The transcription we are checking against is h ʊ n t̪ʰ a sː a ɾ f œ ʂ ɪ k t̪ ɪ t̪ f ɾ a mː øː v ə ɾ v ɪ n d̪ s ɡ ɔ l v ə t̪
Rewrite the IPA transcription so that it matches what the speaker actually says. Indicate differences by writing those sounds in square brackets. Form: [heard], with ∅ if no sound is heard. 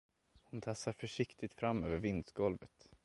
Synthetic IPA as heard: h ʊ n t̪ʰ a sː a ɾ f œ ʂ ɪ k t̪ ɪ t̪ f ɾ a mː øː v ə ɾ v ɪ n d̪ s ɡ ɔ l v ə t̪